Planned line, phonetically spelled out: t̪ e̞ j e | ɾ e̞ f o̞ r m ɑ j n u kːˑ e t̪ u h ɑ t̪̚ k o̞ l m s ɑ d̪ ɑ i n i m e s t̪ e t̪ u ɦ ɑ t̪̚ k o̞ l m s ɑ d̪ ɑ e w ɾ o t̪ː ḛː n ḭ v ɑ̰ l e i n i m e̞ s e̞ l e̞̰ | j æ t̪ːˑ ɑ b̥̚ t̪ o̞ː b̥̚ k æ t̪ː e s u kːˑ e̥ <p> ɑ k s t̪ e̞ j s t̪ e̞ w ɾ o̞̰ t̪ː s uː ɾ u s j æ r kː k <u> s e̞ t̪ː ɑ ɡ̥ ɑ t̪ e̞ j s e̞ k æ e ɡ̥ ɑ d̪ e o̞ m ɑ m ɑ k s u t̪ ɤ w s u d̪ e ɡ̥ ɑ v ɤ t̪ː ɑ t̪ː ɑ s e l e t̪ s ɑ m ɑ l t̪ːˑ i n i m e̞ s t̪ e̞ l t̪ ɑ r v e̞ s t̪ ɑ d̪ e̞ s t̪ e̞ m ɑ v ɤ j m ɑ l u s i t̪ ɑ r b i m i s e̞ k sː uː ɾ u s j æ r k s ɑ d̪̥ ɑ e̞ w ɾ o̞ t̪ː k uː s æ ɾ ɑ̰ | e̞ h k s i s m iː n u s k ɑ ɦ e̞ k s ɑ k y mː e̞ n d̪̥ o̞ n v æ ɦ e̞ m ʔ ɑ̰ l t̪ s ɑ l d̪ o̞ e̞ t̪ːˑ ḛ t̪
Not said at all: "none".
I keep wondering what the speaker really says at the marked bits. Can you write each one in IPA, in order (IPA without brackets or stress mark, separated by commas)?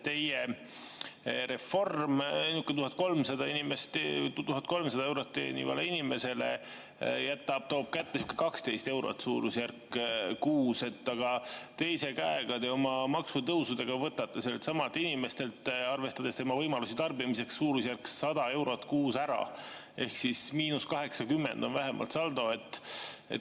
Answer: k, uː